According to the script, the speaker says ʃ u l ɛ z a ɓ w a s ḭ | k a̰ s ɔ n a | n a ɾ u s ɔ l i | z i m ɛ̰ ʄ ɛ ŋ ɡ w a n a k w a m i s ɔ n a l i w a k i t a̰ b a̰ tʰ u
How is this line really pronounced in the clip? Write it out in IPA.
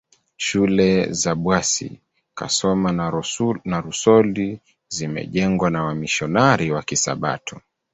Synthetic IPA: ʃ u l ɛ z a ɓ w a s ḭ | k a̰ s ɔ m a | n a ɾ u s ɔ l i | z i m ɛ̰ ʄ ɛ ŋ ɡ w a n a w a m i ʃ ɔ n a ɾ i w a k i s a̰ ɓ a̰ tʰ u